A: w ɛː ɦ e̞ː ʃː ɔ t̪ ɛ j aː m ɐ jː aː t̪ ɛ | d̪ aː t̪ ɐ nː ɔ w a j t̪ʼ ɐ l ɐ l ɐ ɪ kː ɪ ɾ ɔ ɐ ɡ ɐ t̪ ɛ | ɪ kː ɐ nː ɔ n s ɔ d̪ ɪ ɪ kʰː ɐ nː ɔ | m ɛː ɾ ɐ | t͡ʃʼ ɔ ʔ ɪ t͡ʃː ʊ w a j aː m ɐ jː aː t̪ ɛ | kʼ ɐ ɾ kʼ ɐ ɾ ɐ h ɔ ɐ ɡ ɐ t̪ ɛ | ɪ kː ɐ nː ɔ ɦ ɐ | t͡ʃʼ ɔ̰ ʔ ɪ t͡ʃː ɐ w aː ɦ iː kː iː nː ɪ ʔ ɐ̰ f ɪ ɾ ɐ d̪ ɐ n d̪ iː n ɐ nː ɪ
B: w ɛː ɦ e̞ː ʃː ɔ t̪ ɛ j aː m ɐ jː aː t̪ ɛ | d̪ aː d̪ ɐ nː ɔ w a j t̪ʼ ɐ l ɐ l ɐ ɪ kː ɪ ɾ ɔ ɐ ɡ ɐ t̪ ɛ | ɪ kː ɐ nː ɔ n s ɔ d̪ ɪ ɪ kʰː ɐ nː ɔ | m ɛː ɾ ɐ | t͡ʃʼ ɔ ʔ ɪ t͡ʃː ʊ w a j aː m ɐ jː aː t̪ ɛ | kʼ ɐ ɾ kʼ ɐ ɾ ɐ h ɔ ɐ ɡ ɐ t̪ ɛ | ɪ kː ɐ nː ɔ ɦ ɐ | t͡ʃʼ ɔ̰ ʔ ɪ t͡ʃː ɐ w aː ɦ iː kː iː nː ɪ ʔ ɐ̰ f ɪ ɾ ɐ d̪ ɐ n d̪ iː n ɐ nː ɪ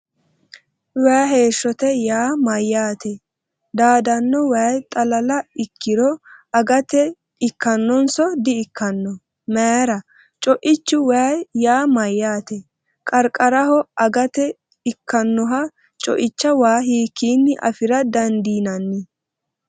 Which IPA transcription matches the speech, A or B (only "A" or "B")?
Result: B